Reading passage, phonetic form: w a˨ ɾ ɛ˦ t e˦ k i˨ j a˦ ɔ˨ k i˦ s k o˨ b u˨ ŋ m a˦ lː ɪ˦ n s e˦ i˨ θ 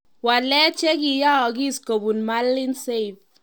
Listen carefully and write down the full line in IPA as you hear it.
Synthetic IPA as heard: w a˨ l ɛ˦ t͡ʃ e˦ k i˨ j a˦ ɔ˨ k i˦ s k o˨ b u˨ n m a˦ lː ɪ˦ n s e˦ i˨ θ

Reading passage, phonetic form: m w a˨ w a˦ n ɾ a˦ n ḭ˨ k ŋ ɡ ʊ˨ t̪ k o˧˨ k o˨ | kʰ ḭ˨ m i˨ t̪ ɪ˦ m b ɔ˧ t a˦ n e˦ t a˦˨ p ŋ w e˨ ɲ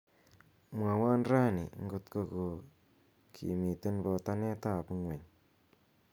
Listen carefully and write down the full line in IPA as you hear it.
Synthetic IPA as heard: m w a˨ w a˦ n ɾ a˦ n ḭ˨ ŋ ɡ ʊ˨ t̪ k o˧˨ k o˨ | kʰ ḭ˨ m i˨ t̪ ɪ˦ n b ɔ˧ t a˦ n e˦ t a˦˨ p ŋ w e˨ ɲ

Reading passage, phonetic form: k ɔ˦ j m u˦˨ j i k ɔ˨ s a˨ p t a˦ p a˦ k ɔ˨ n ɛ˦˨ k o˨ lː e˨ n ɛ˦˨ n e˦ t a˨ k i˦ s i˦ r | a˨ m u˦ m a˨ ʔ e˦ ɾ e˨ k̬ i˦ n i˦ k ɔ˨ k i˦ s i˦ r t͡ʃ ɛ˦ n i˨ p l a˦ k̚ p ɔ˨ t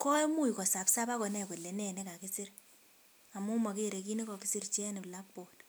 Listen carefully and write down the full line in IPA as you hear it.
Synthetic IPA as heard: k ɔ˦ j m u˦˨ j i k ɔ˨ s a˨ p s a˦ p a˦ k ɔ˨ n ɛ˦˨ k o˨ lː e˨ n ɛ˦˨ n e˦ k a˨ k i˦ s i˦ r | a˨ m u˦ m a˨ k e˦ ɾ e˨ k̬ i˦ n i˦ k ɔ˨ k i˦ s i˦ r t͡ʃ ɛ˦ n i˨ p l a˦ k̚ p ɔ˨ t

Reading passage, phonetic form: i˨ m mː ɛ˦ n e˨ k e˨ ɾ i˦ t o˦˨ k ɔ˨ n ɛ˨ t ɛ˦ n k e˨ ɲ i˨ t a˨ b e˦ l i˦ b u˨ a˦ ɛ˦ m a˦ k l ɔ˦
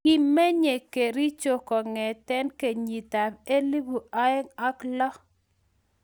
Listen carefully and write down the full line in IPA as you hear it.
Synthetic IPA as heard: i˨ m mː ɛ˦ ɲ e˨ k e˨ ɾ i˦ t͡ʃ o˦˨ k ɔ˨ ŋ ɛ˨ t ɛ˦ n k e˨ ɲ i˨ t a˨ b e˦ l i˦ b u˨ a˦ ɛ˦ ŋ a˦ k l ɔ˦

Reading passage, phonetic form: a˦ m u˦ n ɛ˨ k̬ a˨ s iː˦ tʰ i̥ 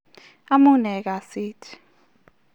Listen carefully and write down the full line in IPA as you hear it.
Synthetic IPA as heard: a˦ m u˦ n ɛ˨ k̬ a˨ s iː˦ tʰ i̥

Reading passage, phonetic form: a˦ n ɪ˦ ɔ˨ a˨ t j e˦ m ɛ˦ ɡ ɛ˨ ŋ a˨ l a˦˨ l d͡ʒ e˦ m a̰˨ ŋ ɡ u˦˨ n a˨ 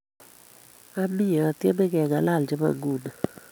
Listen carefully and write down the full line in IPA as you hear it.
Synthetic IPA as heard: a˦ m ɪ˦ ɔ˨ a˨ t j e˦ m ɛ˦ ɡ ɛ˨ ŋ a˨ l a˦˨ l d͡ʒ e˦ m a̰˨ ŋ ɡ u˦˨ n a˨

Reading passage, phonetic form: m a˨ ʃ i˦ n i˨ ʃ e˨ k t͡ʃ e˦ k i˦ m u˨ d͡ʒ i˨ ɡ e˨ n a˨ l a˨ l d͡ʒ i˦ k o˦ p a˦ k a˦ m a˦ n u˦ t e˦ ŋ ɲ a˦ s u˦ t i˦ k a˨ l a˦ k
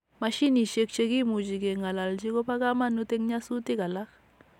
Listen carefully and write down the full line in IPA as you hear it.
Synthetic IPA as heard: m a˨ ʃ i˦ n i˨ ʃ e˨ k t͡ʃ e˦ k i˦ m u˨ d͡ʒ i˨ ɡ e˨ ŋ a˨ l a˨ l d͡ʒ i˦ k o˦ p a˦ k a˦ m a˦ n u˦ t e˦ ŋ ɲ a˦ s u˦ t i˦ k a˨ l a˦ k

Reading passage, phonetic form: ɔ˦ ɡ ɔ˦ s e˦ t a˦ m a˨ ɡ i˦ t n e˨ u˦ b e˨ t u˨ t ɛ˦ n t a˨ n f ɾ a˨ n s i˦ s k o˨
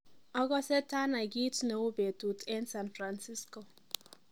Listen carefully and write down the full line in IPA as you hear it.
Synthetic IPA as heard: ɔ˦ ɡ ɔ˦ s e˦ t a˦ n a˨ ɡ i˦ t n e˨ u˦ b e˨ t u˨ t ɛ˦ n s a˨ n f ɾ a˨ n s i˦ s k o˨

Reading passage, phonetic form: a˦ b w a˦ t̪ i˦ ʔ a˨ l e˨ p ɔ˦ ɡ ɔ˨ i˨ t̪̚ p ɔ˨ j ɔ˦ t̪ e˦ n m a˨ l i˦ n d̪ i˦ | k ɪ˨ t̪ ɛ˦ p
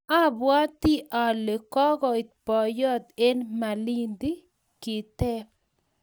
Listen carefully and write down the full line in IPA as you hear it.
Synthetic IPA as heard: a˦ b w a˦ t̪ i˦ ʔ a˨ l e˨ k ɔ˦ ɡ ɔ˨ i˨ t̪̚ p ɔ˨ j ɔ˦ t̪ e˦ n m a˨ l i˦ n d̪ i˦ | k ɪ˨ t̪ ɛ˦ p

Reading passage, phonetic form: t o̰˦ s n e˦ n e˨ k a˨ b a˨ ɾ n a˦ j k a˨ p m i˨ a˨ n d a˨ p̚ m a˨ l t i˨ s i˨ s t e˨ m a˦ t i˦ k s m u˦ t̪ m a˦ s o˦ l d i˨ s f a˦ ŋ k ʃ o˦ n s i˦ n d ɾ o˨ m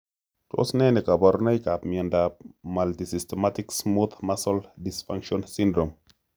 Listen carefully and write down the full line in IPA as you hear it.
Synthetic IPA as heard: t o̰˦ s n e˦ n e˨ k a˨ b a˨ ɾ n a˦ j k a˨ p m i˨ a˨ n d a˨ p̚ m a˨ l t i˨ s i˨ s t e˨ m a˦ t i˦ k s m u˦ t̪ m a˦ s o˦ l d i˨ s f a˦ ŋ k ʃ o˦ n s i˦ n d ɾ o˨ m

